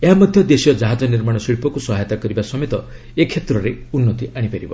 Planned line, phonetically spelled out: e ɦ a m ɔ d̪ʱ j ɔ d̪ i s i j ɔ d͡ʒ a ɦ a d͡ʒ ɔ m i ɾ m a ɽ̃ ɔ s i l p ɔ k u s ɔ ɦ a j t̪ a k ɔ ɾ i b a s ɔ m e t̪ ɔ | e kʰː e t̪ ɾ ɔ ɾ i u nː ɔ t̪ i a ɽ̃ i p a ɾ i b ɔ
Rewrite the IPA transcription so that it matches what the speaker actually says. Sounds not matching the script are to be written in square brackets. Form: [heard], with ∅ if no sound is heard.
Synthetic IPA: e ɦ a m ɔ d̪ʱ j ɔ d̪ [e] s i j ɔ d͡ʒ a ɦ a d͡ʒ ɔ [n] i ɾ m a ɽ̃ ɔ s i [ɭ] p ɔ k u s ɔ ɦ a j t̪ a k ɔ ɾ i b a s ɔ m e t̪ ɔ | e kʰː e t̪ ɾ ɔ ɾ [e] u nː ɔ t̪ i a ɽ̃ i p a ɾ i b ɔ